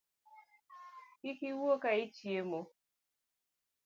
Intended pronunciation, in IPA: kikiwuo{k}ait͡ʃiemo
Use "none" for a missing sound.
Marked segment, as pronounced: k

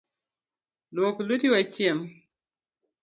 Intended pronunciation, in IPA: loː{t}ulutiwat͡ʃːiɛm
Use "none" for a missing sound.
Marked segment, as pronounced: k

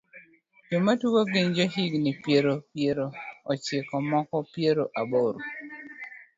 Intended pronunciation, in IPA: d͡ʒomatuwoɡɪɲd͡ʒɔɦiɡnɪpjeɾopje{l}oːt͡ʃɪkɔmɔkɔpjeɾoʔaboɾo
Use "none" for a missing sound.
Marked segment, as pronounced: ɾ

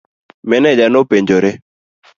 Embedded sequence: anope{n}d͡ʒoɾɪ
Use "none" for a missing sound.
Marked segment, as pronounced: ɲ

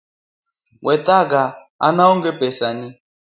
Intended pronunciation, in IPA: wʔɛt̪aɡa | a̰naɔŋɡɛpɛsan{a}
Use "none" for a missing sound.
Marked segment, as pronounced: i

